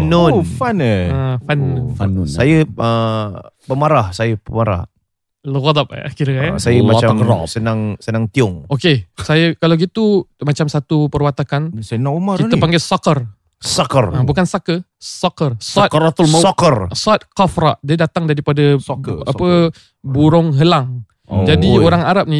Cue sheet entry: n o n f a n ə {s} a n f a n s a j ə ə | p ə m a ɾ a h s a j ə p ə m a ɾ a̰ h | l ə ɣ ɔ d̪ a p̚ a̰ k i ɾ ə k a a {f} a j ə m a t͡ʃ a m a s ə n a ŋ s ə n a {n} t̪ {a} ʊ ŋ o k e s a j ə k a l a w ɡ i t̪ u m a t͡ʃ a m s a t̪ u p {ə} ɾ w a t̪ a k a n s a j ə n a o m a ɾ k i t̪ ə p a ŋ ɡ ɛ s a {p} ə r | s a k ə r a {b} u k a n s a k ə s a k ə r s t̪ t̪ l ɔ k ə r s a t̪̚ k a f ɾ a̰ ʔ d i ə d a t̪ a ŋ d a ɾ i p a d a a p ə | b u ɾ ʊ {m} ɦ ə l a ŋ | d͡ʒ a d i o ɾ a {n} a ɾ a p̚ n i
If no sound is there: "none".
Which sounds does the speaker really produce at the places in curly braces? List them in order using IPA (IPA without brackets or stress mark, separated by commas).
f, s, ŋ, i, ə, k, b, ŋ, ŋ